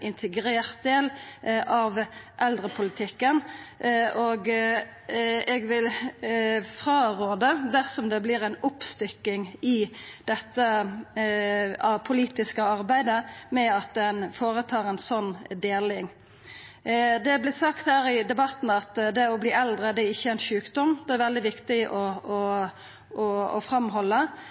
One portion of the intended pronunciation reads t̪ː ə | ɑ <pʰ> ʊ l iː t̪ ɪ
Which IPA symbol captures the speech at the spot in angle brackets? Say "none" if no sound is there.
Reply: pʰ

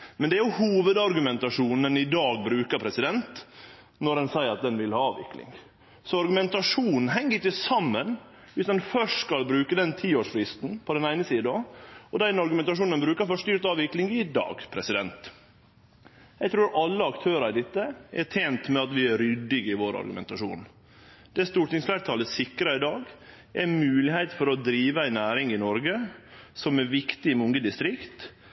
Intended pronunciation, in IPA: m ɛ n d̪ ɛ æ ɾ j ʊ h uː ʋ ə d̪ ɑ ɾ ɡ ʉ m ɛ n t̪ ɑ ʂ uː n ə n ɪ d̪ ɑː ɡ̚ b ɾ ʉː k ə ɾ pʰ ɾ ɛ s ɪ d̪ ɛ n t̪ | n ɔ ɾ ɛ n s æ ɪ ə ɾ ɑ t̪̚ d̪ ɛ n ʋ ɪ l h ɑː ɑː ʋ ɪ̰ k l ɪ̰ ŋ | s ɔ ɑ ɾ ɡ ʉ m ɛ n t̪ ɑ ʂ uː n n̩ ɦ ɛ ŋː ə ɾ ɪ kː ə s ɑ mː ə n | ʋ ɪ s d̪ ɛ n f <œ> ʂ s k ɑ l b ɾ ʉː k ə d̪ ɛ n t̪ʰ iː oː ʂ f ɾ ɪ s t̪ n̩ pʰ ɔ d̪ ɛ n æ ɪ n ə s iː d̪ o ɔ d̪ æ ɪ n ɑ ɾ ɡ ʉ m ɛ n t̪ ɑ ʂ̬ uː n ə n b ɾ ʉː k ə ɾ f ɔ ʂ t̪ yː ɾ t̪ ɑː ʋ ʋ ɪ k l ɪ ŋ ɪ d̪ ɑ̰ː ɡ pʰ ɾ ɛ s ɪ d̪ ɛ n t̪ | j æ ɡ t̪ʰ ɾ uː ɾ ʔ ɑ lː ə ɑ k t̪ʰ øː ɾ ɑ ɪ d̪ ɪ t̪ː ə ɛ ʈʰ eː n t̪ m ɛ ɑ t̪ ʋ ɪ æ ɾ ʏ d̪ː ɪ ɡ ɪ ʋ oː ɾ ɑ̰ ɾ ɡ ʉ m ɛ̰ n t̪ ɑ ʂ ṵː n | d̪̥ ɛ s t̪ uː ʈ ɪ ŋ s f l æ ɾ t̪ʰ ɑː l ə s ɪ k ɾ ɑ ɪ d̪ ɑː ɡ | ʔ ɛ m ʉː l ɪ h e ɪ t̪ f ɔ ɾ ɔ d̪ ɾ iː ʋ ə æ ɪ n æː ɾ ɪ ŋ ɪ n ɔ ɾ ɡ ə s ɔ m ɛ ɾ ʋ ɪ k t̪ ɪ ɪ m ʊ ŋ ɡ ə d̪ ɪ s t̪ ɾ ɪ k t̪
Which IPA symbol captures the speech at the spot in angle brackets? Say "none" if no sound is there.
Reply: œ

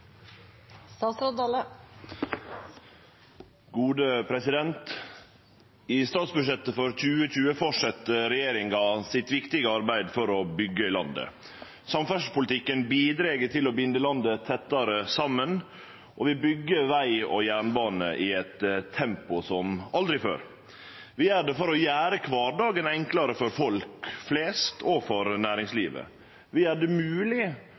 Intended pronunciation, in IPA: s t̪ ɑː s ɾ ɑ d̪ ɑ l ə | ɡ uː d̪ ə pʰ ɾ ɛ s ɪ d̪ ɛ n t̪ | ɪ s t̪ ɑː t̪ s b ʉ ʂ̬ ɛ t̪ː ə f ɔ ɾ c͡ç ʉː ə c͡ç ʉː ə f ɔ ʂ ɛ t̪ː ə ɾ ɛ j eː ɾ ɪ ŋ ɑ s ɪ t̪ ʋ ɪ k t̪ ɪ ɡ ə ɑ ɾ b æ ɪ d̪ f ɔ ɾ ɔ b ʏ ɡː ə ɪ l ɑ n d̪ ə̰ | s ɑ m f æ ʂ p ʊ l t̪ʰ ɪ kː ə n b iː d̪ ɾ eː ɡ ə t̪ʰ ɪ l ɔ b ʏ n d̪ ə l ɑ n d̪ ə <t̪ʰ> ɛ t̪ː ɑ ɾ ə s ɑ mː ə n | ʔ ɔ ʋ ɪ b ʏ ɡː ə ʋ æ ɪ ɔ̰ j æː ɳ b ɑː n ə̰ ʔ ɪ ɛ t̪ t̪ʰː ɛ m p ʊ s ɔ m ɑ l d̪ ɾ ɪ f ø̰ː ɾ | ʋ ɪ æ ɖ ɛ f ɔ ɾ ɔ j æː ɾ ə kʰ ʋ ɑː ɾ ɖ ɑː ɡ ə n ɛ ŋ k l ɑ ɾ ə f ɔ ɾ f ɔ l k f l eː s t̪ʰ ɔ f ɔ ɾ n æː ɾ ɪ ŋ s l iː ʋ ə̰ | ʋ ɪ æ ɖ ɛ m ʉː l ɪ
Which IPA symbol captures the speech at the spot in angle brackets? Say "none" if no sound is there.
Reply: t̪ʰ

